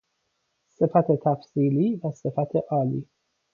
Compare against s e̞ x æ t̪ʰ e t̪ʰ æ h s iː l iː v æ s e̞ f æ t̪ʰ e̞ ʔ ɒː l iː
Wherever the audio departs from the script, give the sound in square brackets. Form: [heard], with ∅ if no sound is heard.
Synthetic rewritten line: s e̞ [f] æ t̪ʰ e t̪ʰ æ [f] s iː l iː v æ s e̞ f æ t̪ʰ e̞ ʔ ɒː l iː